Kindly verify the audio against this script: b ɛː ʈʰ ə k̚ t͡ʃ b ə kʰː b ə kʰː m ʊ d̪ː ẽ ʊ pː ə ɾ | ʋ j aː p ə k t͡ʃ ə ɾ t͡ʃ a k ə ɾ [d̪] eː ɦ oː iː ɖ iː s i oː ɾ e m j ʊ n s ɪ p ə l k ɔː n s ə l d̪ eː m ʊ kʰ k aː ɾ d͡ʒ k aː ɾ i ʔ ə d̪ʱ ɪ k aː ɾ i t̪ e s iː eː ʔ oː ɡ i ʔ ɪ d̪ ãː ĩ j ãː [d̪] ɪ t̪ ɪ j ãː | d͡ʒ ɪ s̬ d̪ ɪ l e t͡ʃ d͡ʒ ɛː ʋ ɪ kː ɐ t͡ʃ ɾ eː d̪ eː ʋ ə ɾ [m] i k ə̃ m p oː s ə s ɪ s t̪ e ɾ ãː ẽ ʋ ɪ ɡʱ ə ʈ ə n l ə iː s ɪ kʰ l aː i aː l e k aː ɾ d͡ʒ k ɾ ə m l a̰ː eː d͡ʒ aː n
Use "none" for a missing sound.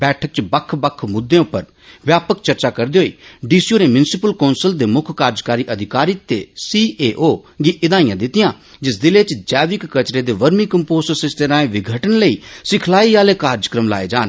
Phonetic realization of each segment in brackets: d̪, d̪, m

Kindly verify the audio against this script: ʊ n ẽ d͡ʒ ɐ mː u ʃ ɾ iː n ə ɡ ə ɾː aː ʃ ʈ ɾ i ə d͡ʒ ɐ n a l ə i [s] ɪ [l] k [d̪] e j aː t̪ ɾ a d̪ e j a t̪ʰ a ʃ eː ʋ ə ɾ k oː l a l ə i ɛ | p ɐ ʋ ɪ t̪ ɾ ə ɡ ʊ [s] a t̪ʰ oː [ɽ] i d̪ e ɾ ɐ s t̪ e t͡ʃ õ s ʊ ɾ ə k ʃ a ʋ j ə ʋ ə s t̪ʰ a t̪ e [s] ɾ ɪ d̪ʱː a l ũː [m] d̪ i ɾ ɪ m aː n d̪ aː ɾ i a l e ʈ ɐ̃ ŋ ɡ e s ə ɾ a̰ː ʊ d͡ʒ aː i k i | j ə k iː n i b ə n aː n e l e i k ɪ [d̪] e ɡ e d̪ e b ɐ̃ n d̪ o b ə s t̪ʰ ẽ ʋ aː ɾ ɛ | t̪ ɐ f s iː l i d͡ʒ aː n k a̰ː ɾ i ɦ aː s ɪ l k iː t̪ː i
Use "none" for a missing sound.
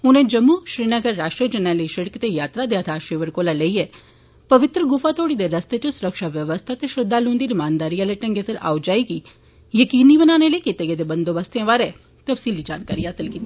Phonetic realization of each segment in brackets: ʃ, ɽ, t̪, f, ɽ, ʃ, n, t̪

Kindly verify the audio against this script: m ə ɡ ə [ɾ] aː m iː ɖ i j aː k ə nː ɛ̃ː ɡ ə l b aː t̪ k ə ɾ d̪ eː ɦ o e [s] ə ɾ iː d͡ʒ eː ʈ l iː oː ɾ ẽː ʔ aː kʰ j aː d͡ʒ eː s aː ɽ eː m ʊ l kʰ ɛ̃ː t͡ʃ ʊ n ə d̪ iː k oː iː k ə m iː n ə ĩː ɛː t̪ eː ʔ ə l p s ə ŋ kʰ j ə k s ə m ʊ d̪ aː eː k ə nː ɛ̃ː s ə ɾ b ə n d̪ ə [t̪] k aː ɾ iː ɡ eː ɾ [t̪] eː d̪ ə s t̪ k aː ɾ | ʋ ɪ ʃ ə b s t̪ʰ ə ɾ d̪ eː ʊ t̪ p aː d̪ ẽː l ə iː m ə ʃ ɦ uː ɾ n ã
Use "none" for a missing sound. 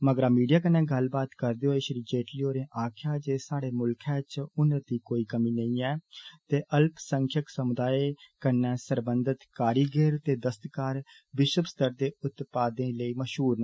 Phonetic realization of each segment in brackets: ɾ, ʃ, t̪, t̪

